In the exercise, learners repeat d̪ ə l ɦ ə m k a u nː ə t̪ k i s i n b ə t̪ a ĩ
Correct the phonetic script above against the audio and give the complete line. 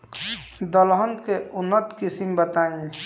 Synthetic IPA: d̪ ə l ɦ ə n k e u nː ə t̪ k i s i m b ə t̪ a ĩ